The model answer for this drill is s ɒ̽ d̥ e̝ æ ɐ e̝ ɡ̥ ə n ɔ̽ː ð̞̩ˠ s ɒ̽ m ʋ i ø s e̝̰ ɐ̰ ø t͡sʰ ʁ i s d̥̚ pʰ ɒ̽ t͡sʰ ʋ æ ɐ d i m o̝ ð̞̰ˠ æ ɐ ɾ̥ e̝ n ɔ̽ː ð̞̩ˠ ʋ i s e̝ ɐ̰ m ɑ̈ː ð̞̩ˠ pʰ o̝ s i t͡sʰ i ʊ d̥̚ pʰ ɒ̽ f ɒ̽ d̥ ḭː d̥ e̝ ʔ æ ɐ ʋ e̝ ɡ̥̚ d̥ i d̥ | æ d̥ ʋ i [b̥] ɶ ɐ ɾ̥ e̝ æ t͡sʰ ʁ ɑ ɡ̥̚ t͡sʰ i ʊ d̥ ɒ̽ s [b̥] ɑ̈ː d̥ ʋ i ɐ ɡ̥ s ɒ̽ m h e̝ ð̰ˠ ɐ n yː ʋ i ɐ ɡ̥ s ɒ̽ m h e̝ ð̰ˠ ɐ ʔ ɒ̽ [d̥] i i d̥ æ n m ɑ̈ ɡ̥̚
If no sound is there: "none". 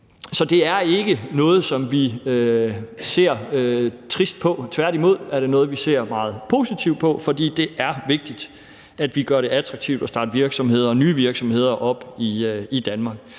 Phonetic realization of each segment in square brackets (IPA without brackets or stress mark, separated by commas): ɡ̥, d̥, b̥